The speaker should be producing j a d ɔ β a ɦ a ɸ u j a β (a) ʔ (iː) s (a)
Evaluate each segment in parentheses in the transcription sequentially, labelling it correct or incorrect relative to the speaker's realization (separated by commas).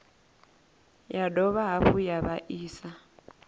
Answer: correct, correct, correct